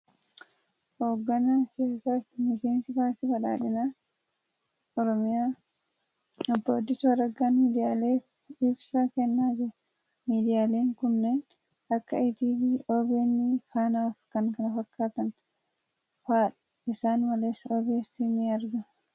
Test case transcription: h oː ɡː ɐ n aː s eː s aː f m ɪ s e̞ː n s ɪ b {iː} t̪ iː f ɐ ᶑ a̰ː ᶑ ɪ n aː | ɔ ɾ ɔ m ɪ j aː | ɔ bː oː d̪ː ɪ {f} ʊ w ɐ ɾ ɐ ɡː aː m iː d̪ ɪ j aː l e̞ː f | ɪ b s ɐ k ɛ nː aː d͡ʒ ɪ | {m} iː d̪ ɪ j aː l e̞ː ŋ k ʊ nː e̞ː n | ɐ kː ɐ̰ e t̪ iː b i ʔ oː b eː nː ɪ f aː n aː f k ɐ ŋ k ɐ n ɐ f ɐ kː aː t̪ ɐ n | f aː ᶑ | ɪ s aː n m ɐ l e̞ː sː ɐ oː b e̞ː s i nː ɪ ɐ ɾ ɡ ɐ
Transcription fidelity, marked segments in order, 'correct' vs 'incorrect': incorrect: aː, incorrect: s, correct

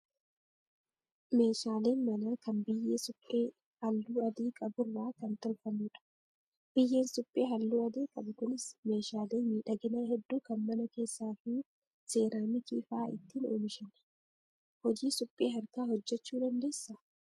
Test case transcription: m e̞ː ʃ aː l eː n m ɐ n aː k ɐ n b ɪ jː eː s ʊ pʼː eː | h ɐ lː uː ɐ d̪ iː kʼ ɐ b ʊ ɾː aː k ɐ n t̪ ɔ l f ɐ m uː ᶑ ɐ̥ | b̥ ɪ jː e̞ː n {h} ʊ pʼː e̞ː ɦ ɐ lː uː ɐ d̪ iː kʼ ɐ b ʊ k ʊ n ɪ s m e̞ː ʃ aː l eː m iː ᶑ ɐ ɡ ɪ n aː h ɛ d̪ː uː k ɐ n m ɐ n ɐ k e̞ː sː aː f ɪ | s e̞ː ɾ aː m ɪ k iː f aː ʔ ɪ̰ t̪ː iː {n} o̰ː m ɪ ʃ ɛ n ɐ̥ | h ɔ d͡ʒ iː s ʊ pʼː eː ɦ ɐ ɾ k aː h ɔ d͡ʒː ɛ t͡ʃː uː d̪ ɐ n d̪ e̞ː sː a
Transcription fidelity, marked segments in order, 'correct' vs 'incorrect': incorrect: s, correct

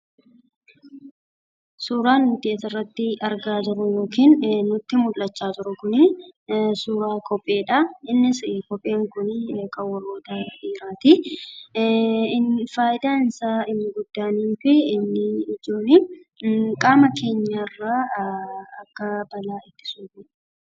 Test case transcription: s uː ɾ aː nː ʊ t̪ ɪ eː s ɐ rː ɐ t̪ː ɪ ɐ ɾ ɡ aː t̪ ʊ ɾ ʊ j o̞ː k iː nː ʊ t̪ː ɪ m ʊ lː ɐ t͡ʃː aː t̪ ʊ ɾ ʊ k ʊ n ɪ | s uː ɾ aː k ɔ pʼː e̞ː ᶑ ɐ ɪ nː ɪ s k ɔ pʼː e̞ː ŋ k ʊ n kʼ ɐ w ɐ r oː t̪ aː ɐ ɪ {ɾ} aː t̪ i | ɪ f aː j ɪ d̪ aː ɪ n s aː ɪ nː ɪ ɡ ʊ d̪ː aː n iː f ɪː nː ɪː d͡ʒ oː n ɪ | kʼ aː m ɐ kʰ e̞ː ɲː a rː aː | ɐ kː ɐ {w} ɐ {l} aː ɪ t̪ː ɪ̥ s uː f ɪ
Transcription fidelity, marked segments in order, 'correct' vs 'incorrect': correct, incorrect: b, correct

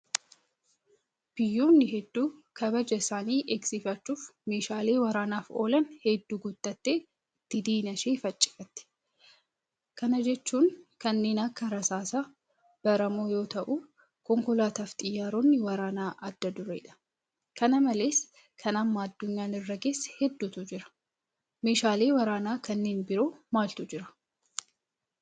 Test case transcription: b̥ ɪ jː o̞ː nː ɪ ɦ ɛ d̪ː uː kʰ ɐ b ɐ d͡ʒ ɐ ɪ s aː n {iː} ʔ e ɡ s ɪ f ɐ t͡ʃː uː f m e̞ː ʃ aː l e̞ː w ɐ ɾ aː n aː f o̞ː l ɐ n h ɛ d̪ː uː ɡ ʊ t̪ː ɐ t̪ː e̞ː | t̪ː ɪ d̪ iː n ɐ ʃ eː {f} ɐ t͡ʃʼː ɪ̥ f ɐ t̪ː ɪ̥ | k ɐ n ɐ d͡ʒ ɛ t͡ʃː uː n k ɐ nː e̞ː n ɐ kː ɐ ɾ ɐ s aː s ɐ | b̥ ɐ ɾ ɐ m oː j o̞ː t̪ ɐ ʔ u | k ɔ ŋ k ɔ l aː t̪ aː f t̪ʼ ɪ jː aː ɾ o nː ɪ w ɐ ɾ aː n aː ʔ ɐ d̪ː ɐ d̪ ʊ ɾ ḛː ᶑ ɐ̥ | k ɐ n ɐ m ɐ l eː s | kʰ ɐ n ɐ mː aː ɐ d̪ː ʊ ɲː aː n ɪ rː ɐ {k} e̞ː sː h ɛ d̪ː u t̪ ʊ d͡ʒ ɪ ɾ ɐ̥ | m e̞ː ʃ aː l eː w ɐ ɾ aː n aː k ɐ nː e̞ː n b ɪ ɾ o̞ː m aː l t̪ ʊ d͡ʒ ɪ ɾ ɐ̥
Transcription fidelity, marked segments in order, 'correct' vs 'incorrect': correct, correct, incorrect: ɡ

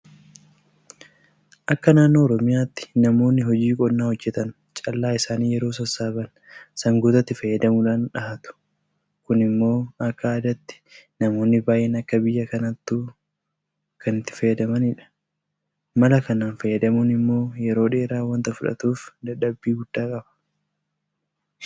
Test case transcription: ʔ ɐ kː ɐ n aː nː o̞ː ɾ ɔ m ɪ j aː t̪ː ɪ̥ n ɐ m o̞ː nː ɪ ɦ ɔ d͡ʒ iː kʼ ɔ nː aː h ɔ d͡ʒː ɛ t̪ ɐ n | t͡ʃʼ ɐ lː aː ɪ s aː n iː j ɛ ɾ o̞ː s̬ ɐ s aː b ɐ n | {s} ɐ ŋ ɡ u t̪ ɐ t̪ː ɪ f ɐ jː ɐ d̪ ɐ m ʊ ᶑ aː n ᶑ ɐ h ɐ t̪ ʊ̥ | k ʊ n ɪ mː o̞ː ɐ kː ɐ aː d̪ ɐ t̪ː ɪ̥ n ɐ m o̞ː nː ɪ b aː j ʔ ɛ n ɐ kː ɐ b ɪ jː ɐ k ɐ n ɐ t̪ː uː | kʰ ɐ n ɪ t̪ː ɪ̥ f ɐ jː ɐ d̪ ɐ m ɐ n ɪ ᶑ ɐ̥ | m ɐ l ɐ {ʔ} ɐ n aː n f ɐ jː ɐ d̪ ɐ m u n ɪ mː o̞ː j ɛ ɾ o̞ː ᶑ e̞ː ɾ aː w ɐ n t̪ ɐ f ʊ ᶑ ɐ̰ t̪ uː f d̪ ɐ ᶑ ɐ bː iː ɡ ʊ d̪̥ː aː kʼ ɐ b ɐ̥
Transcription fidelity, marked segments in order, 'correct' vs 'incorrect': correct, incorrect: k

